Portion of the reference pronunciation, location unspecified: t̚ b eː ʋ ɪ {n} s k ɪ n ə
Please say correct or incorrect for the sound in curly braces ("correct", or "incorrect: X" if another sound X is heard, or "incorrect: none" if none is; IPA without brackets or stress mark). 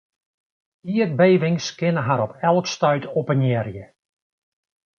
incorrect: ŋ